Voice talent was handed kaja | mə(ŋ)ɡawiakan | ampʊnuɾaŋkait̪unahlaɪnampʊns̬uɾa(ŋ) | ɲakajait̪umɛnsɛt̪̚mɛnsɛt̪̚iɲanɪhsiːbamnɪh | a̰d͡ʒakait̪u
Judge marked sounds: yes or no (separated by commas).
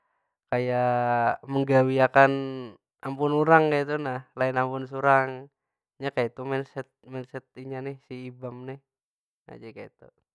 yes, yes